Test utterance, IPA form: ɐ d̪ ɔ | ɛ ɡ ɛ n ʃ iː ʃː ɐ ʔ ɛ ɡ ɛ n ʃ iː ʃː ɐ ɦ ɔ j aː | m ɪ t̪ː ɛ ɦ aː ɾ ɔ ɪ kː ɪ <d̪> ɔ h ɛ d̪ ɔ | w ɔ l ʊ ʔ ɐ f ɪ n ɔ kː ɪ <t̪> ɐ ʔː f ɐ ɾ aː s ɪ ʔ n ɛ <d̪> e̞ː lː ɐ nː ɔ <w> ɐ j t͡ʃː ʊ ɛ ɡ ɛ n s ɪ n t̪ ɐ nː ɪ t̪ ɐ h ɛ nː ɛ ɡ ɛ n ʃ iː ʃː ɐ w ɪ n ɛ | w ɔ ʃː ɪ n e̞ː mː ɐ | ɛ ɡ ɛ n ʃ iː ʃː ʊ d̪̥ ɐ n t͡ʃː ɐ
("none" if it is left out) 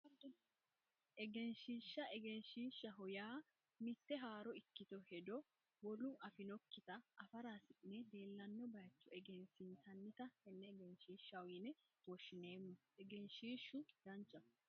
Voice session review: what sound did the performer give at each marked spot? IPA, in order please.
t̪, t̪, d̪, b

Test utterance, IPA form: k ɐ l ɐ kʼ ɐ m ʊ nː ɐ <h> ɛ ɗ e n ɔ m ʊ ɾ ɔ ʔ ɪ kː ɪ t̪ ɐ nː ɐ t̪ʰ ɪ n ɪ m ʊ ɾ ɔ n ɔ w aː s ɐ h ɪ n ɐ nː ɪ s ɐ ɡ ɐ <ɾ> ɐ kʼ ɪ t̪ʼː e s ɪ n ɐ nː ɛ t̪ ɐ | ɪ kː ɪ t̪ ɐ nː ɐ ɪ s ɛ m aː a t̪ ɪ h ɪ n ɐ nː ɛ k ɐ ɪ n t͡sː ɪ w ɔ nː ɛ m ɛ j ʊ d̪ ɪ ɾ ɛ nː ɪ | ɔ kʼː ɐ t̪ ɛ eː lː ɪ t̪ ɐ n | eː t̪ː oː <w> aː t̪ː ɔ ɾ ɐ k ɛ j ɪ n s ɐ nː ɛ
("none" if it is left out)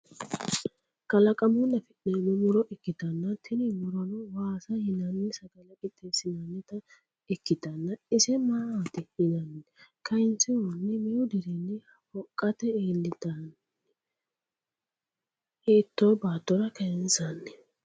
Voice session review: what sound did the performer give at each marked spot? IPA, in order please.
f, l, b

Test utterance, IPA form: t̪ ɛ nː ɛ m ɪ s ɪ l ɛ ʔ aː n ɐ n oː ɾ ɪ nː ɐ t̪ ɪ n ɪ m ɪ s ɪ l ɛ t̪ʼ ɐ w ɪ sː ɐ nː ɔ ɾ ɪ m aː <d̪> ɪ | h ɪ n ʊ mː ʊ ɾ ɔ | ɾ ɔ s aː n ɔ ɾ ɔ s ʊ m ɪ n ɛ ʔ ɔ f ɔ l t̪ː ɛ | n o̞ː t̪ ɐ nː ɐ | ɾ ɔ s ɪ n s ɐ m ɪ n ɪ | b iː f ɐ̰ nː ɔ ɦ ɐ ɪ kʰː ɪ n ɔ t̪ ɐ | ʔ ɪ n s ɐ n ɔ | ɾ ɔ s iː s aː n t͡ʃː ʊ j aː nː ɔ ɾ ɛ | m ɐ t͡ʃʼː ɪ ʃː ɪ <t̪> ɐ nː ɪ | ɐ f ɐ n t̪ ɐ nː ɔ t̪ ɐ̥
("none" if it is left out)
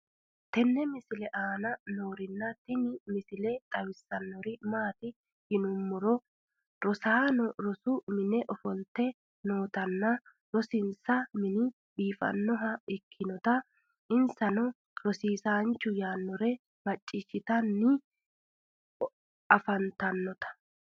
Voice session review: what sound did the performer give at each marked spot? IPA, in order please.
t̪, t̪

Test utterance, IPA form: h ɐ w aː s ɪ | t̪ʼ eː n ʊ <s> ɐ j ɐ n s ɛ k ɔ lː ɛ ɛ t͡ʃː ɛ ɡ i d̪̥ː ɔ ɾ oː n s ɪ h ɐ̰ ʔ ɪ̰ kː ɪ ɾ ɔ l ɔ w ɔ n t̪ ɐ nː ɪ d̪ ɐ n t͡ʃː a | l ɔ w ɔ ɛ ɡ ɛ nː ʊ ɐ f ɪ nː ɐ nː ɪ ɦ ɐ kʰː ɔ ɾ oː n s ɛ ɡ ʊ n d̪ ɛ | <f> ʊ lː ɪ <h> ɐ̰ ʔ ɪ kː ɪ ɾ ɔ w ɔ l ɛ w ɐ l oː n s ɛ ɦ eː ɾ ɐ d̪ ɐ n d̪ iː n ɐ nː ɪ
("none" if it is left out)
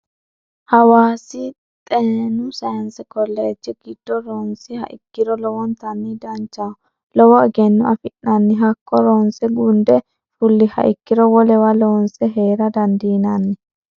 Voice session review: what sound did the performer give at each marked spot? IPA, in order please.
s, f, h

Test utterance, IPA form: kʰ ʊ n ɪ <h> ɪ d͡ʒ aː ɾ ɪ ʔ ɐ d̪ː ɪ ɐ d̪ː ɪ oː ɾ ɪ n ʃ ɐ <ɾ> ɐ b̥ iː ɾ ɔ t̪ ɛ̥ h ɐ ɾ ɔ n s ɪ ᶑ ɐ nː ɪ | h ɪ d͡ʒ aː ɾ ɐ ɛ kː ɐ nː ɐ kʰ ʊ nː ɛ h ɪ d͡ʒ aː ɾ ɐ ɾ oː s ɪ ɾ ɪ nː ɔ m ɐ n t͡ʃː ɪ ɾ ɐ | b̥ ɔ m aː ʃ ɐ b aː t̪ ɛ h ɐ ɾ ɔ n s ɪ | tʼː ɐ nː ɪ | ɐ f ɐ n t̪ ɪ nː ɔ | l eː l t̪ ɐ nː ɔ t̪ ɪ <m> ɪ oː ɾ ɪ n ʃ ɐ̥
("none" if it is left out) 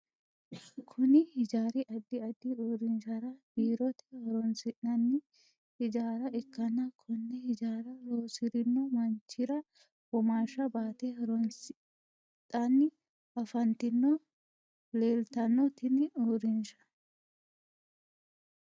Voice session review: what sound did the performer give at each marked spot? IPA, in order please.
h, ɾ, n

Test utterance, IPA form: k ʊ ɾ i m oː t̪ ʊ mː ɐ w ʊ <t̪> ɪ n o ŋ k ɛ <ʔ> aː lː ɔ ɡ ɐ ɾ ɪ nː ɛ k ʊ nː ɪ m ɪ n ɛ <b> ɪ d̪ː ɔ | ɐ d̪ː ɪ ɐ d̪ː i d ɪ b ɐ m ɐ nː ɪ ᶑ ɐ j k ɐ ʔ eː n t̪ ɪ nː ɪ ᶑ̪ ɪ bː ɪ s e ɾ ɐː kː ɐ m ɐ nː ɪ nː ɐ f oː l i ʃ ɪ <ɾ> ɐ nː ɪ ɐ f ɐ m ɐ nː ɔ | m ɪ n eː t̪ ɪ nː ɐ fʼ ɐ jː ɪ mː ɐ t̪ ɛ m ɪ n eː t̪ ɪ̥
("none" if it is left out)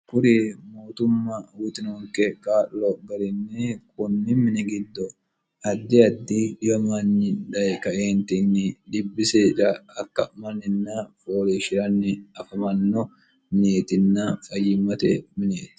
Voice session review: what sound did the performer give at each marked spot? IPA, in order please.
t̪, k, ɡ, ɾ

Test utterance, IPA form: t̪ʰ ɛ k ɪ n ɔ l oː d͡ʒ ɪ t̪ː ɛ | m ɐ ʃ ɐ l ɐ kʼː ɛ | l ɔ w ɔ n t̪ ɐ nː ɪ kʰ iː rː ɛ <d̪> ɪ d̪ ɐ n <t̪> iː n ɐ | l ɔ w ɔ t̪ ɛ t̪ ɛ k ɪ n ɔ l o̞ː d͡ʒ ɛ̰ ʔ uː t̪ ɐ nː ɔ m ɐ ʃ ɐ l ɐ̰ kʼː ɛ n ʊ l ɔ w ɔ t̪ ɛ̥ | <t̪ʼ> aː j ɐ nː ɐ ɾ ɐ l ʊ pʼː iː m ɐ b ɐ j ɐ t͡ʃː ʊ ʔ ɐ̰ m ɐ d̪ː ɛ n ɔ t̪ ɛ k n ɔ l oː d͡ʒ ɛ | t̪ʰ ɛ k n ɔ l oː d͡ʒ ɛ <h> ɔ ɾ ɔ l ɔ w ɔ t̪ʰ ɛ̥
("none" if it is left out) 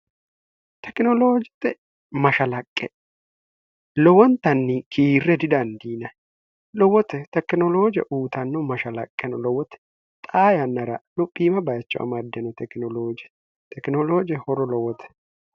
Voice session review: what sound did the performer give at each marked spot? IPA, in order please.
d̪, d̪, t̪ʼ, h

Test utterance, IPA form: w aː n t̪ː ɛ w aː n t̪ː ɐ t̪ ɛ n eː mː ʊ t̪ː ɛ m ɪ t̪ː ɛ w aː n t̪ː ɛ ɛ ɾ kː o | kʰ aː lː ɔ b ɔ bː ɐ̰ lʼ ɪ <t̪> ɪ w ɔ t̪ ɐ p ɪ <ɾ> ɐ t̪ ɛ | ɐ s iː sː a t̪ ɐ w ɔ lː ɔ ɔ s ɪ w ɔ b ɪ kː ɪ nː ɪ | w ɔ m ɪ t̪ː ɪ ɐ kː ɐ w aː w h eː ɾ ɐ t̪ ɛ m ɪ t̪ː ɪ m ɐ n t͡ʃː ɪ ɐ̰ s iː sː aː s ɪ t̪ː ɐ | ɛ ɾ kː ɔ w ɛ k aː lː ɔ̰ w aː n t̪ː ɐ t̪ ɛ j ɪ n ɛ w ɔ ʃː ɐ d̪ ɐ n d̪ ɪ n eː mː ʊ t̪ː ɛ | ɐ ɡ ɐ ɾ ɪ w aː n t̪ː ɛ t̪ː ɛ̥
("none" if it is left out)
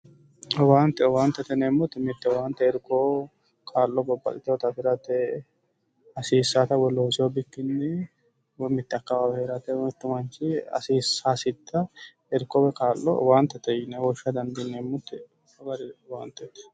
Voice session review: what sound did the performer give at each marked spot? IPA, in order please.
t̪, ɾ

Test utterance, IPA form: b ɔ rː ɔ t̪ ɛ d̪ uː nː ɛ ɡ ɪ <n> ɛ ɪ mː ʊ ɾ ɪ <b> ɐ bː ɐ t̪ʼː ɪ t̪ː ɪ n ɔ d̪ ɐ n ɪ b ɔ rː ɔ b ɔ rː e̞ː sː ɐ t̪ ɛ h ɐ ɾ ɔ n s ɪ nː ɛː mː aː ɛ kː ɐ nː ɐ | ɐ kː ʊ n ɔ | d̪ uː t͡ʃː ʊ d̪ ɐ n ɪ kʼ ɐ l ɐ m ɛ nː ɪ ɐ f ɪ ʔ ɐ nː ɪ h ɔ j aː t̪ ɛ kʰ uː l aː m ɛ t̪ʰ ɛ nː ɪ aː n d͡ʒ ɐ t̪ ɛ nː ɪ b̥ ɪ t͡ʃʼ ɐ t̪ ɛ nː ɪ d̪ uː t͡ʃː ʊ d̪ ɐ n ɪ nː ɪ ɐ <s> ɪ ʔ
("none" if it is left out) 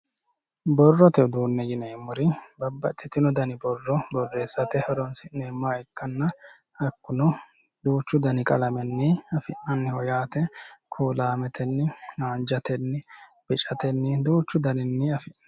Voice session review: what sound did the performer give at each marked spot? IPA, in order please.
n, b, f

